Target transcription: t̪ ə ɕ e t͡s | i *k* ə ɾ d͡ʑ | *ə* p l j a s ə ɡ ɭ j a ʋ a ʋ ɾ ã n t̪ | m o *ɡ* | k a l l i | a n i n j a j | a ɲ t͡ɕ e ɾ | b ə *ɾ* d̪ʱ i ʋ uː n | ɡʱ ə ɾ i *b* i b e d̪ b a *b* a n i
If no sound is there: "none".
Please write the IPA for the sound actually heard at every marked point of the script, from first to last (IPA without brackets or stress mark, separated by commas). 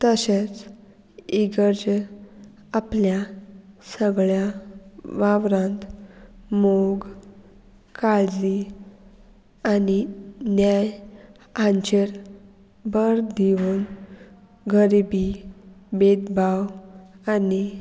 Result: ɡ, a, ɡ, ɾ, b, w